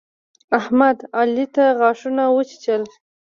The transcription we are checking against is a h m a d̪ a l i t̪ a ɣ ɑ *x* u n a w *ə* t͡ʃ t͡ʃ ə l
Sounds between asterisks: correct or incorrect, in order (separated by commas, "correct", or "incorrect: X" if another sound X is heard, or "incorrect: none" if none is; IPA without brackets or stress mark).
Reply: incorrect: ʂ, correct